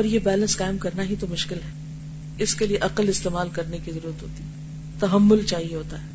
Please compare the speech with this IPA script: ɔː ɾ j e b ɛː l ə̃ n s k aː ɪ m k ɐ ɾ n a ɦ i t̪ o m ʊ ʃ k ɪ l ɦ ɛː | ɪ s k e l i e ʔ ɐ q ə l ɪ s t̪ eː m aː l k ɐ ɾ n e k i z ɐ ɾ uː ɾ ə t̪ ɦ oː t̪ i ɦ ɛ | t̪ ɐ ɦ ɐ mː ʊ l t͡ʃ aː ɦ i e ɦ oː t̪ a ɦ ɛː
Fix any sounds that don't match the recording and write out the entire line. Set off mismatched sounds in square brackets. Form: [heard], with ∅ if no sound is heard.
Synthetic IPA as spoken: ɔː ɾ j e b ɛː l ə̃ n s k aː ɪ m k ɐ ɾ n a ɦ i t̪ o m ʊ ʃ k ɪ l ɦ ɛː | ɪ s k e l i e ʔ ɐ q ə l ɪ s t̪ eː m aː l k ɐ ɾ n e k i z ɐ ɾ uː ɾ ə t̪ ɦ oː t̪ i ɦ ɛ | t̪ ɐ ɦ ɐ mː ʊ l t͡ʃ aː ɦ i e ɦ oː t̪ a ɦ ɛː